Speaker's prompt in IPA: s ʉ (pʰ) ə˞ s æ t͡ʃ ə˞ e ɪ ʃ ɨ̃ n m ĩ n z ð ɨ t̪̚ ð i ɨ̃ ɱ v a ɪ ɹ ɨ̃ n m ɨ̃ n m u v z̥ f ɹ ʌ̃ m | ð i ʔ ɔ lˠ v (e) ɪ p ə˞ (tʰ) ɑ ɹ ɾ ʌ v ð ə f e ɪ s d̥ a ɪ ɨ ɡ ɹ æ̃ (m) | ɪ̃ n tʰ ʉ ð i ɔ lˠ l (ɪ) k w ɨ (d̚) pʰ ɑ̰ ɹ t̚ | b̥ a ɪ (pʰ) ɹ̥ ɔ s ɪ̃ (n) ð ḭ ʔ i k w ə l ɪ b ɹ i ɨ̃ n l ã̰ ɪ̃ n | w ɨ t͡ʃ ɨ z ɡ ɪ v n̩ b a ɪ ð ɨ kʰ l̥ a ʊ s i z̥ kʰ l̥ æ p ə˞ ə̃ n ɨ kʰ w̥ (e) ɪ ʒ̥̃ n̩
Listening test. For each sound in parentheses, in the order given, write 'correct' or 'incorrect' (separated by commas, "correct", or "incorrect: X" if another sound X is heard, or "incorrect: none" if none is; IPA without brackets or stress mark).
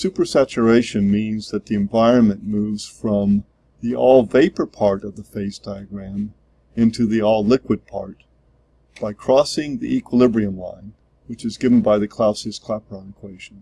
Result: incorrect: p, correct, incorrect: pʰ, correct, correct, correct, incorrect: kʰ, incorrect: ŋ, correct